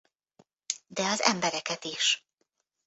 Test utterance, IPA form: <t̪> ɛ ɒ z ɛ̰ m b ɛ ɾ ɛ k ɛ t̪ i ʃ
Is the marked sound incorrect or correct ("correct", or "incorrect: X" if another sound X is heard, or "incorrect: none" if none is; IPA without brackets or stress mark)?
incorrect: d̪